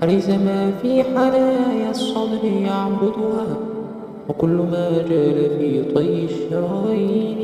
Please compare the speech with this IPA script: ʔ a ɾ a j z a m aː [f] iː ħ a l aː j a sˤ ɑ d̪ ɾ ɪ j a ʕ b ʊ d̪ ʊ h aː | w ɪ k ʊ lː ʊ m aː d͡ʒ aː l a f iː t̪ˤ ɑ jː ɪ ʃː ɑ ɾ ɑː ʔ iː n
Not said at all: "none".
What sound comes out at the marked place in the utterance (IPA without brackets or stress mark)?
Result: f